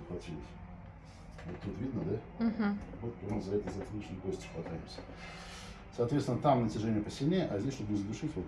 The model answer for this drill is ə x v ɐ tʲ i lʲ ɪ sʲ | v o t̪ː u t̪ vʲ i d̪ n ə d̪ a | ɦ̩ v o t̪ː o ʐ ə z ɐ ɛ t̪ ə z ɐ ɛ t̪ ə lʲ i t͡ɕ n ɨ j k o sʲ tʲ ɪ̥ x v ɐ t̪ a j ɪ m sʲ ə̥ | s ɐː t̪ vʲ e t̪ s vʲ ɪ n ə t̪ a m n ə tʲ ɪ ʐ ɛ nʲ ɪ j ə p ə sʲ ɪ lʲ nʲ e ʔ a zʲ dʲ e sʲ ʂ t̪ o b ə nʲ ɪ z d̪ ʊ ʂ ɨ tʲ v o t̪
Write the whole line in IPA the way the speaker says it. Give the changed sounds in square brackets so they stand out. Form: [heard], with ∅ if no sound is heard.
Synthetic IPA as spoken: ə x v ɐ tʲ i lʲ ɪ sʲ | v o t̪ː u t̪ vʲ i d̪ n ə d̪ a | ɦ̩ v o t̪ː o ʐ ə z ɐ ɛ t̪ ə z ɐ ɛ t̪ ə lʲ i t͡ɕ n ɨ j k o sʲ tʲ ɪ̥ x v ɐ t̪ a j ɪ m sʲ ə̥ | s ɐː t̪ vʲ e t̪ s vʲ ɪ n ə t̪ a m n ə tʲ ɪ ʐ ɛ nʲ ɪ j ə p ə sʲ ɪ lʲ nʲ e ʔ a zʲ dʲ e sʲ ʂ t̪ o b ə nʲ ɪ z d̪ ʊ ʂ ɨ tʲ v o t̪